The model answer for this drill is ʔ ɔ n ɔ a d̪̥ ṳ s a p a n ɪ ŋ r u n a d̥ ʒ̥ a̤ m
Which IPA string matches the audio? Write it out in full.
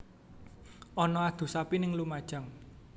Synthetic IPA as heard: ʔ ɔ n ɔ a d̪̥ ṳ s a p i n ɪ ŋ l u m a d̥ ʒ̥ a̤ ŋ